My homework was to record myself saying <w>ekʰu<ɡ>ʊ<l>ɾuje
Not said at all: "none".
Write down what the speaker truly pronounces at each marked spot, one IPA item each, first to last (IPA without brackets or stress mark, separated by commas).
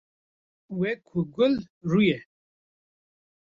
w, ɡ, l